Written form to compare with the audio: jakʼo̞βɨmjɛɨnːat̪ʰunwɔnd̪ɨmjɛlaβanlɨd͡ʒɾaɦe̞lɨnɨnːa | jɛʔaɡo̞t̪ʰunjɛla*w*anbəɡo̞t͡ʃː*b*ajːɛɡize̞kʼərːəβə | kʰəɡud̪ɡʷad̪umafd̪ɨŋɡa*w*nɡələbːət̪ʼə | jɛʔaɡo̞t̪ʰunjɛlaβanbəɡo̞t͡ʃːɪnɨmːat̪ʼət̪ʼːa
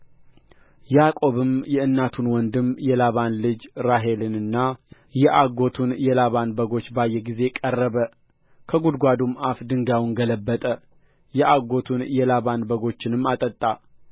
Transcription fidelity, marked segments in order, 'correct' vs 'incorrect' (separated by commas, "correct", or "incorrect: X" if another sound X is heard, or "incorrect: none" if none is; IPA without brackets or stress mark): incorrect: β, correct, correct